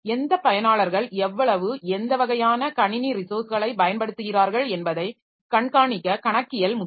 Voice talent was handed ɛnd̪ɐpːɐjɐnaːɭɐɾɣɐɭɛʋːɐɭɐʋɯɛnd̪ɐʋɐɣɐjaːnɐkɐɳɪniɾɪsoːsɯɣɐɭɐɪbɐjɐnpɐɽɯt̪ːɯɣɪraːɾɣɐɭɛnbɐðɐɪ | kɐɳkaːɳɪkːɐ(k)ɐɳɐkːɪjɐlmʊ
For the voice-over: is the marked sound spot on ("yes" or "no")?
yes